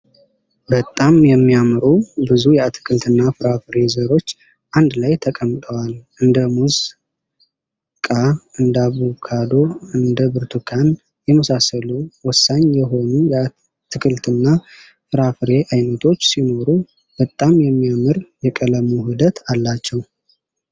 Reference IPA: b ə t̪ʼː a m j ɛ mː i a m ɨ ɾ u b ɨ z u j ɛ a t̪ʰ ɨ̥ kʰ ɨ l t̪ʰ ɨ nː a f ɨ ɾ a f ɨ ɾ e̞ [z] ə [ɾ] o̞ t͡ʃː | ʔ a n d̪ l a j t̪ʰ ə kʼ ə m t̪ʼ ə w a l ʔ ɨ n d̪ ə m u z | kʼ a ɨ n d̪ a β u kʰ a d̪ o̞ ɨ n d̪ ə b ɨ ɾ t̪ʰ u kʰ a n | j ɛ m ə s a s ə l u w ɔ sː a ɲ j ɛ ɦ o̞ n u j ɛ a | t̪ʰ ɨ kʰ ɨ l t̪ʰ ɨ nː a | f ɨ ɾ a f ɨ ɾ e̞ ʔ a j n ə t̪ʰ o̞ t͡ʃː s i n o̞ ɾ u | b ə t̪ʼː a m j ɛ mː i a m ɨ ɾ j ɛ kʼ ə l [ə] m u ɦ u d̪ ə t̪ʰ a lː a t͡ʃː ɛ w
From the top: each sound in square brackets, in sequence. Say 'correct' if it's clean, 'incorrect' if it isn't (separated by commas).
correct, correct, correct